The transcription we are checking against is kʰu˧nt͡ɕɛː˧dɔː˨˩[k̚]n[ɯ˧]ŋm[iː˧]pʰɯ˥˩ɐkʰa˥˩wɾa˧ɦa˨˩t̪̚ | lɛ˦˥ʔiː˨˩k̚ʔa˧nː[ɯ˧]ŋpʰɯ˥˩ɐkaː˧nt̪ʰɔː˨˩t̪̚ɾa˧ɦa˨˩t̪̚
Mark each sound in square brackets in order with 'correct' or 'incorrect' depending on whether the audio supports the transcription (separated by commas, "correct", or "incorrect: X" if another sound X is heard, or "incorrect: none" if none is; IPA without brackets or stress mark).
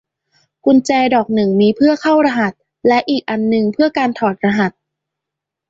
correct, incorrect: ɯ˨˩, correct, correct